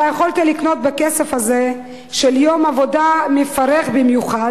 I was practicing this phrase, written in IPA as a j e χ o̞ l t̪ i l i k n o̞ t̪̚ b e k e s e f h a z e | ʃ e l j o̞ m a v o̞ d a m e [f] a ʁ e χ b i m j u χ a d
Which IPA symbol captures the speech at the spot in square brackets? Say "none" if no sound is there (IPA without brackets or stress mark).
f